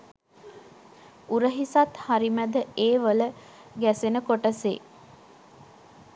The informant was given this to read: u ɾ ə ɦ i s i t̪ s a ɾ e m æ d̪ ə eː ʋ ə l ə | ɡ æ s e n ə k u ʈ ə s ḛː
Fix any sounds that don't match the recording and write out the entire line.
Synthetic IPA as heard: u ɾ ə ɦ i s a t̪ h a ɾ i m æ d̪ ə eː ʋ ə l ə | ɡ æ s e n ə k o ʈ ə s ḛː